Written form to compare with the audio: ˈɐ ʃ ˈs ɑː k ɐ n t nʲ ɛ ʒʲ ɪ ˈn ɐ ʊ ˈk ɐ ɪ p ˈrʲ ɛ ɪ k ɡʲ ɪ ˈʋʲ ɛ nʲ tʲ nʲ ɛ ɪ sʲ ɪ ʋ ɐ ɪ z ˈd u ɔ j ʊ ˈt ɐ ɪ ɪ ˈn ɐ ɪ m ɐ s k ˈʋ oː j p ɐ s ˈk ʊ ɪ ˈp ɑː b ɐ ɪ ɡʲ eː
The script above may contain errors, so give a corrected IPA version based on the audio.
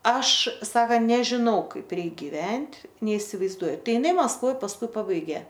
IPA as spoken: ˈɐ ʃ ˈs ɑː k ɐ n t nʲ ɛ ʒʲ ɪ ˈn ɐ ʊ ˈk ɐ ɪ p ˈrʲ ɛ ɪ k ɡʲ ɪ ˈʋʲ ɛ nʲ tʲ nʲ ɛ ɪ sʲ ɪ ʋ ɐ ɪ z ˈd u ɔ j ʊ ˈt ɐ ɪ ɪ ˈn ɐ ɪ m ɐ s k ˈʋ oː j p ɐ s ˈk ʊ ɪ ˈp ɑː b ɐ ɪ ɡʲ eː